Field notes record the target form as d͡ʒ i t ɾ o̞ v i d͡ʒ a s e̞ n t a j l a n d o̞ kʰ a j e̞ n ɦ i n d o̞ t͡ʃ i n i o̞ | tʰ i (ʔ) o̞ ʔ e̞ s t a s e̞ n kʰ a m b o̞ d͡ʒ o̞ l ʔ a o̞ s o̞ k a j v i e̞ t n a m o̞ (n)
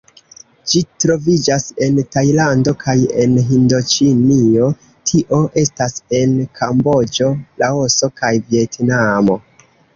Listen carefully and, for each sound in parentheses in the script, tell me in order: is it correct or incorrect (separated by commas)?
correct, incorrect